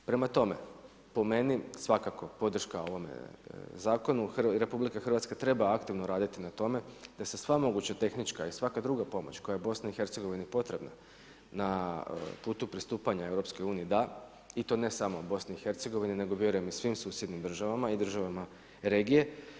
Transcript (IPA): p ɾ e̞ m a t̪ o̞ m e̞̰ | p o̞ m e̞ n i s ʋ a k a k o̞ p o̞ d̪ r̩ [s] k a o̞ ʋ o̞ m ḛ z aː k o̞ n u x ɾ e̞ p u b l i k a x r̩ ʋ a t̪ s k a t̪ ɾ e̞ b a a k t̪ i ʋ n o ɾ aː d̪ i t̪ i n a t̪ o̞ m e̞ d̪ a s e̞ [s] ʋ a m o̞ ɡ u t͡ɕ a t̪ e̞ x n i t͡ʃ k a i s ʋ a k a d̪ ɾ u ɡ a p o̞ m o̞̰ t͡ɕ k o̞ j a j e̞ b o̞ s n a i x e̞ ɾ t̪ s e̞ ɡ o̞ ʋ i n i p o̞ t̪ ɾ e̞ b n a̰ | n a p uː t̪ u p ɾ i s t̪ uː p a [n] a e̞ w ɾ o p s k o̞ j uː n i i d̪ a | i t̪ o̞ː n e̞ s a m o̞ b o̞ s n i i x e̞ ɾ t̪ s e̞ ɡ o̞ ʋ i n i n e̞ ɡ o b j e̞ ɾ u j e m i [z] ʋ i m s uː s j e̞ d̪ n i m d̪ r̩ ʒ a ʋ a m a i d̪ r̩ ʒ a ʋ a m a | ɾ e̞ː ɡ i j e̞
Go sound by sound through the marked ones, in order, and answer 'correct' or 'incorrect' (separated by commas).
incorrect, correct, incorrect, incorrect